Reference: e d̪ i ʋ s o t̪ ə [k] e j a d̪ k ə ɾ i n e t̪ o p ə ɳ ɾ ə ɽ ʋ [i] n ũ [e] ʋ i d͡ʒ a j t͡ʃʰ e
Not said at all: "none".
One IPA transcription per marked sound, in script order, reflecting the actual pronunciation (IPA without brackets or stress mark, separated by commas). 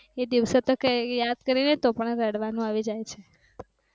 k, a, a